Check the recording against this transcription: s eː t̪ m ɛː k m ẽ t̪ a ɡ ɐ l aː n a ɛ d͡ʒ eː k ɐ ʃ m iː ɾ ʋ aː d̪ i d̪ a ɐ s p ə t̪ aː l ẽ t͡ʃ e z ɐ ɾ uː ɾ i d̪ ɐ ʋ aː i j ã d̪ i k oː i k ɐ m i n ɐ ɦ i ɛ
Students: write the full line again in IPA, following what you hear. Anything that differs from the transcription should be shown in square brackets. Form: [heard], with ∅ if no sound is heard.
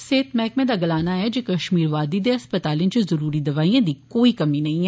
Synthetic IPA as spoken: s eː t̪ m ɛː k m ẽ [d̪] a ɡ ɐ l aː n a ɛ d͡ʒ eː k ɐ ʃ m iː ɾ ʋ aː d̪ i d̪ [e] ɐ s p ə t̪ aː l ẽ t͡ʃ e z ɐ ɾ uː ɾ i d̪ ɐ ʋ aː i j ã d̪ i k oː i k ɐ m i n ɐ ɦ [ĩ] ɛ